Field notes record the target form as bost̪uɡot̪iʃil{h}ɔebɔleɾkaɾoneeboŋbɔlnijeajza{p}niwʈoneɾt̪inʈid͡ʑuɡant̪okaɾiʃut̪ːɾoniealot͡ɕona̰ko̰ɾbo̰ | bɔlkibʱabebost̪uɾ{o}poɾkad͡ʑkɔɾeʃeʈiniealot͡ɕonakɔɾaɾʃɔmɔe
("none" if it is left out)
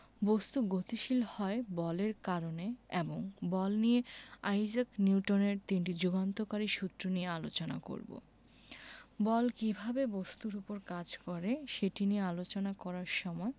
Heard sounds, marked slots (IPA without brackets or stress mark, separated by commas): h, k, u